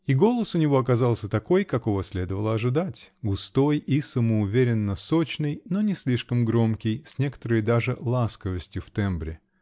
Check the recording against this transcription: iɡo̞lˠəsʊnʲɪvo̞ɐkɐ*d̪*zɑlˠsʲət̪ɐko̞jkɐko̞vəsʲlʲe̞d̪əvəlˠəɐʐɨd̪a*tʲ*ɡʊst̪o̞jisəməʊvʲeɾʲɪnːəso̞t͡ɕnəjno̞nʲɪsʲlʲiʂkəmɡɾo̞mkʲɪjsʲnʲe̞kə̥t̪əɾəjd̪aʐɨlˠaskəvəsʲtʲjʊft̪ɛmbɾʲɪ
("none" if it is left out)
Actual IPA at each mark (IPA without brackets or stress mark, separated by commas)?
none, tʲ